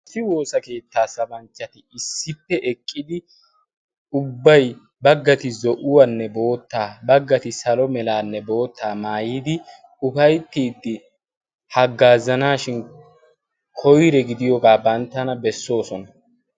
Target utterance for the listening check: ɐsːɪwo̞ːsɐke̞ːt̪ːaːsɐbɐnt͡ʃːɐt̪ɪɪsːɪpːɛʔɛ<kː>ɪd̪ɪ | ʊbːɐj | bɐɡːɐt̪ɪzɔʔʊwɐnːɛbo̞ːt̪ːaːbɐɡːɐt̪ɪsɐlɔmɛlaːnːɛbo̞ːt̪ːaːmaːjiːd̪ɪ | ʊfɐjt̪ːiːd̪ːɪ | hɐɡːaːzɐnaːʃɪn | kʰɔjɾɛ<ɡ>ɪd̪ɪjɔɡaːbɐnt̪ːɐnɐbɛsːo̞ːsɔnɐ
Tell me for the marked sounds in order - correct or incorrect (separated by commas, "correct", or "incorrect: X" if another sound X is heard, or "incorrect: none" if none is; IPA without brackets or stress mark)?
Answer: incorrect: kʼː, correct